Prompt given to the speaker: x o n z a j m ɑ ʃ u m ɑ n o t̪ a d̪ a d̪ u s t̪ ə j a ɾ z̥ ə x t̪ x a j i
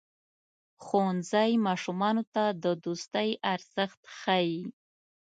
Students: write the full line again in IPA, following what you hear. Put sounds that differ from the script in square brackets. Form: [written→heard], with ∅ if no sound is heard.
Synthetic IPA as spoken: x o n z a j m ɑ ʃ u m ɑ n o t̪ a d̪ [a→ə] d̪ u s t̪ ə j a ɾ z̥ ə x t̪ x a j i